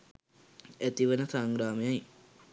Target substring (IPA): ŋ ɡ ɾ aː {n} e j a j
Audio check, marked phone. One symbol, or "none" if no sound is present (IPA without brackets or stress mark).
m